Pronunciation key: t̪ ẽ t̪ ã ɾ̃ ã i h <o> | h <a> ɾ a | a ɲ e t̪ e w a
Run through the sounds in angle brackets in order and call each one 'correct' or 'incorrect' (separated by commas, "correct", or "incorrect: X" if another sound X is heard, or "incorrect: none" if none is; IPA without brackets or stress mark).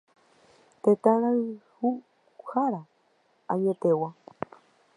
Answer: incorrect: u, correct